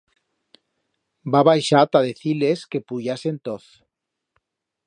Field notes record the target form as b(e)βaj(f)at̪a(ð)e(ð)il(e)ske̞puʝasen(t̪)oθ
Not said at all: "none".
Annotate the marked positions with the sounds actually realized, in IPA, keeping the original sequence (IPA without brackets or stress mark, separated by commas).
a, ʃ, ð, θ, e, t̪